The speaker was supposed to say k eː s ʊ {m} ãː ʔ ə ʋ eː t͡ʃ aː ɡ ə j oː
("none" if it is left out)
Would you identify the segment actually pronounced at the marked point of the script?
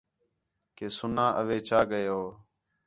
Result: n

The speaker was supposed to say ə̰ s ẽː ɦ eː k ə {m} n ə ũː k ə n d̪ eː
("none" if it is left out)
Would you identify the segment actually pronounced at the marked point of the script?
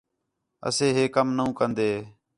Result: m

